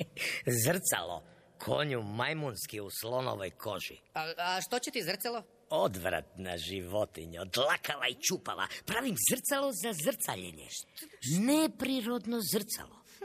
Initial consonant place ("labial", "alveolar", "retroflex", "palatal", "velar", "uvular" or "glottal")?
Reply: alveolar